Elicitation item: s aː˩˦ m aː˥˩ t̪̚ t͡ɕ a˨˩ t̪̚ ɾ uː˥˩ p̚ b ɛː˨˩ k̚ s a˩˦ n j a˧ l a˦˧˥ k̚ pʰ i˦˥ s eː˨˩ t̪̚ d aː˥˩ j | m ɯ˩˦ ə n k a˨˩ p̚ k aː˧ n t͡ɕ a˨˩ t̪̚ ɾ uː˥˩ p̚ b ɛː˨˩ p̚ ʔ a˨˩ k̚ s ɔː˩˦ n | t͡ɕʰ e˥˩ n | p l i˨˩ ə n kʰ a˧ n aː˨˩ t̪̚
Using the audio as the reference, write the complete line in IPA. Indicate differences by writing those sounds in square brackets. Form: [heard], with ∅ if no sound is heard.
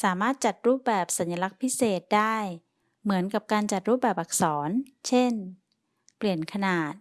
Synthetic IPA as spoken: s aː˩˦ m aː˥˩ t̪̚ t͡ɕ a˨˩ t̪̚ ɾ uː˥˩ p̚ b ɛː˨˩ [p̚] s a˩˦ n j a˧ l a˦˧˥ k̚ pʰ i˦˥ s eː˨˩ t̪̚ d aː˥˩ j | m ɯ˩˦ ə n k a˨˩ p̚ k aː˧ n t͡ɕ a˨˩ t̪̚ ɾ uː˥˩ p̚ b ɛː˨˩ p̚ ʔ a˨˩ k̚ s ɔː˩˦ n | t͡ɕʰ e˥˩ n | p l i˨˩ ə n kʰ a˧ n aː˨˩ t̪̚